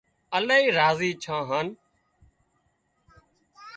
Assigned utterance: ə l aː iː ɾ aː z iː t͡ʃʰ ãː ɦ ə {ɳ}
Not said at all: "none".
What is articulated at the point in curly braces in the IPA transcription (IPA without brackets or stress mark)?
n